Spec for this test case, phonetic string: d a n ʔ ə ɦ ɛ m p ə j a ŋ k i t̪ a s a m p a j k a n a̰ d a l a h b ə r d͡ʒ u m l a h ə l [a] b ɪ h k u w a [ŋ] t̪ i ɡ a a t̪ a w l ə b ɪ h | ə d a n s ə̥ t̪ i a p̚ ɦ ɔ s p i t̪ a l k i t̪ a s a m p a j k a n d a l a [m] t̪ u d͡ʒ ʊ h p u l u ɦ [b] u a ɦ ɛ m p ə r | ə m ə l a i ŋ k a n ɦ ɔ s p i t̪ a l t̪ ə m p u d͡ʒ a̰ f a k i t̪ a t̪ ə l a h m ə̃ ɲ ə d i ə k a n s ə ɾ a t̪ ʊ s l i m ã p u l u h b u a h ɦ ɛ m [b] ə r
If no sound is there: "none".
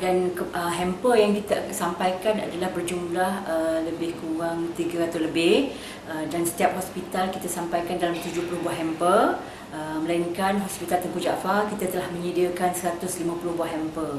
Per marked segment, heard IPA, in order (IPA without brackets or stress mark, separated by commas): ə, ŋ, m, b, p